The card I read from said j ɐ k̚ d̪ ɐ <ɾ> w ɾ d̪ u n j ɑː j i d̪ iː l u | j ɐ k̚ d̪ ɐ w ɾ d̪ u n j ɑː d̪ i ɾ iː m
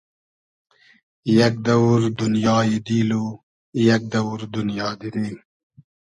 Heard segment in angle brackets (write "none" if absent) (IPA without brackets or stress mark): none